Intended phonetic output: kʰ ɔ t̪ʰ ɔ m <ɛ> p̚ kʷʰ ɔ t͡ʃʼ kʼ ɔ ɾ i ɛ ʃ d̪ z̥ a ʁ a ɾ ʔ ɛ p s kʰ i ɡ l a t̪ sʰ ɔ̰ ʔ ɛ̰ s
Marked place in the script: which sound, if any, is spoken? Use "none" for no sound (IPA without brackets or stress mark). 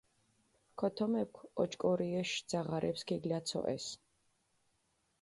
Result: ɛ